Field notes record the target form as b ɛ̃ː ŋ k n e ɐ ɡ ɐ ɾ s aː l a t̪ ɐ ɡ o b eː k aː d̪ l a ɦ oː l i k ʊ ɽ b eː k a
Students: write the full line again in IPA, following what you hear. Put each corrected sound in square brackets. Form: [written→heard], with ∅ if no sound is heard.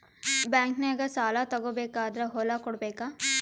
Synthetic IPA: b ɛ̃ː ŋ k n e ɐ ɡ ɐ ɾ s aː l a t̪ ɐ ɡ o b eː k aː d̪ [l→ɾ] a ɦ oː l [i→a] k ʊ ɽ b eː k a